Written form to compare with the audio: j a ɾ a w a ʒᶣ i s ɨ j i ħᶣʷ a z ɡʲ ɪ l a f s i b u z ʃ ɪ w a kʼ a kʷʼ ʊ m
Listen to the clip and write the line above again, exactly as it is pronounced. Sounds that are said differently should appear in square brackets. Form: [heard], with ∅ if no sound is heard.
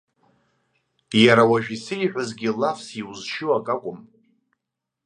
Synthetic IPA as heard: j a ɾ a w a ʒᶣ i s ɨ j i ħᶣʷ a z ɡʲ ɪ l a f s i [w] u z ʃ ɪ w a kʼ a kʷʼ ʊ m